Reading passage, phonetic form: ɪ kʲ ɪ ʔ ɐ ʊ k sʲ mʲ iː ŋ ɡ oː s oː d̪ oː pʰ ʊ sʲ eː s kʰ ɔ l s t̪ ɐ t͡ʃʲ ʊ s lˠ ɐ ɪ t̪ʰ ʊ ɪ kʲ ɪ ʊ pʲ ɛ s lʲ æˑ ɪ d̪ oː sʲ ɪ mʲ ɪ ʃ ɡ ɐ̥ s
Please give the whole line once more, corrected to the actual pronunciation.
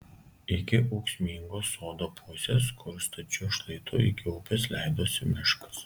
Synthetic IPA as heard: ɪ kʲ ɪ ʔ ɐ ʊ k sʲ mʲ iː ŋ ɡ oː s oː d̪ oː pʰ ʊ sʲ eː s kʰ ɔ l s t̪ ɐ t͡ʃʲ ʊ ʃ lˠ ɐ ɪ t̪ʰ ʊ ɪ kʲ ɪ ʊ pʲ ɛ s lʲ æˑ ɪ d̪ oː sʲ ɪ mʲ ɪ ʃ k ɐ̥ s